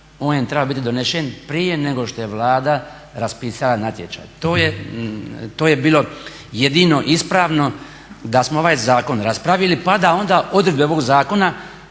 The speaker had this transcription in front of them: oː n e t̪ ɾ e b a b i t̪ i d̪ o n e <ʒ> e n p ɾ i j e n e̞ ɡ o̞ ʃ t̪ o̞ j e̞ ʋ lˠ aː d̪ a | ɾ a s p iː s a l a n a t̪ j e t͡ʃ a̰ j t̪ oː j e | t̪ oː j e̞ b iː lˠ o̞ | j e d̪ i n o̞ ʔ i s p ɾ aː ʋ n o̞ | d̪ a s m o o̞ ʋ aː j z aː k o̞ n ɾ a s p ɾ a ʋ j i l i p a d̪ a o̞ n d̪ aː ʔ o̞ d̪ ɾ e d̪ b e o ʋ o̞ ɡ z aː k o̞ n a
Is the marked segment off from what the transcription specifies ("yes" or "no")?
yes